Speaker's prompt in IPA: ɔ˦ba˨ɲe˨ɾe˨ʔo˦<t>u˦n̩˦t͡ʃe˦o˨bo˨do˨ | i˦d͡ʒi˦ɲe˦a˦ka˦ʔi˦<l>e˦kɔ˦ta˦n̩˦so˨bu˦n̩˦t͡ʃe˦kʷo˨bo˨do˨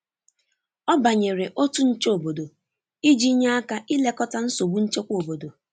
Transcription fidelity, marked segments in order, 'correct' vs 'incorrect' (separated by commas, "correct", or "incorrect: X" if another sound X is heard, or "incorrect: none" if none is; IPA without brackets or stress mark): correct, correct